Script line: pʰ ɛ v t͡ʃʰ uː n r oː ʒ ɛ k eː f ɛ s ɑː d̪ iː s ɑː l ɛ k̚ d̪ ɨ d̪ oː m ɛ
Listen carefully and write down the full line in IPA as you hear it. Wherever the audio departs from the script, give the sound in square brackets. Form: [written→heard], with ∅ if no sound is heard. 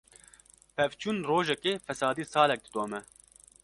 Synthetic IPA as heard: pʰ ɛ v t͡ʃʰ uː n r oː ʒ ɛ k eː f ɛ s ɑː d̪ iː s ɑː l ɛ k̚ d̪ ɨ d̪ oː m ɛ